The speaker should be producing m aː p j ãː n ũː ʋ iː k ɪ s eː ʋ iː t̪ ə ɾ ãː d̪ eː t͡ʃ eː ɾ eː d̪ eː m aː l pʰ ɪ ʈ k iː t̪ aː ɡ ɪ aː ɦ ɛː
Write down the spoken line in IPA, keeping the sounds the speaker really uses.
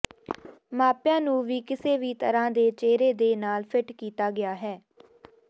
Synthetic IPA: m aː p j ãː n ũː ʋ iː k ɪ s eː ʋ iː t̪ ə ɾ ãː d̪ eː t͡ʃ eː ɾ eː d̪ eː n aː l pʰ ɪ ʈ k iː t̪ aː ɡ ɪ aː ɦ ɛː